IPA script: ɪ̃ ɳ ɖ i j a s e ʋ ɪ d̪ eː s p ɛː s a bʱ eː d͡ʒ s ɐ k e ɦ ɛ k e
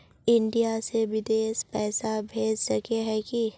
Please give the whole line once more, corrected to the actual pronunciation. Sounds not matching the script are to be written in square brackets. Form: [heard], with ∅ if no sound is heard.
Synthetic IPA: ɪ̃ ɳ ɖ i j a s e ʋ ɪ d̪ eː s p ɛː s a bʱ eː d͡ʒ s ɐ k e ɦ ɛ k [i]